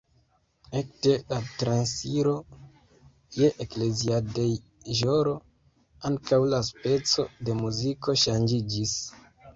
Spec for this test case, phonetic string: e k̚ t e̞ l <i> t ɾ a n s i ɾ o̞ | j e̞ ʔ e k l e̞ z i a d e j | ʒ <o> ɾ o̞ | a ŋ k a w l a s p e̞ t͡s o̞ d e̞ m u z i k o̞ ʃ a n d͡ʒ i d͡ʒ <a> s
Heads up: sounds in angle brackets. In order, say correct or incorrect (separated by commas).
incorrect, correct, incorrect